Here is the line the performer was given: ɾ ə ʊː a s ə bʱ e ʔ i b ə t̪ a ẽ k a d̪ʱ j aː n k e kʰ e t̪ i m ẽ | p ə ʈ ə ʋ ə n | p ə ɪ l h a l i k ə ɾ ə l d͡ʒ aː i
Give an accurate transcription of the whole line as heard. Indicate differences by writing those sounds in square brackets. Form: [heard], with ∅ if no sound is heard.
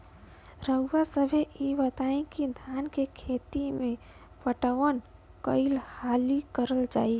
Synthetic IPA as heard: ɾ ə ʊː a s ə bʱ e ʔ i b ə t̪ a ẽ k [i] d̪ʱ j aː n k e kʰ e t̪ i m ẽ | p ə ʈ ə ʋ ə n | [k] ə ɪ l h a l i k ə ɾ ə l d͡ʒ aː i